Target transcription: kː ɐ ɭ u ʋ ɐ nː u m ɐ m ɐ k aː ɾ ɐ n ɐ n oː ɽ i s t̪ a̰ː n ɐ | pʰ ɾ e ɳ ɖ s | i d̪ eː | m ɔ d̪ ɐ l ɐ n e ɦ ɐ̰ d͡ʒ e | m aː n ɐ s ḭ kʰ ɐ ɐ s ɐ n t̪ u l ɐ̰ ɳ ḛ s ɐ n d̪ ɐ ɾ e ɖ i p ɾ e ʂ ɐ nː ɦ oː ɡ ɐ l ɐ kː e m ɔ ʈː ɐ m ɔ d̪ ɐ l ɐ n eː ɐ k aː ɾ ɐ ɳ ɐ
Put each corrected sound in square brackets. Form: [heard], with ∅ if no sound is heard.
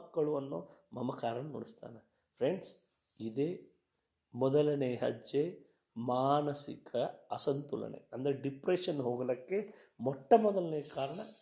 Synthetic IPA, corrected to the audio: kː ɐ ɭ u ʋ ɐ nː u m ɐ m ɐ k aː ɾ ɐ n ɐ n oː ɽ i s t̪ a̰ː n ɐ | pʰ ɾ e ɳ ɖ s | i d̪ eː | m ɔ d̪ ɐ l ɐ n e ɦ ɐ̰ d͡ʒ e | m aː n ɐ s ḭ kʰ ɐ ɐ s ɐ n t̪ u l ɐ̰ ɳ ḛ [∅] ɐ n d̪ ɐ ɾ e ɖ i p ɾ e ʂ ɐ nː ɦ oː ɡ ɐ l ɐ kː e m ɔ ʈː ɐ m ɔ d̪ ɐ l ɐ n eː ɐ k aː ɾ ɐ ɳ ɐ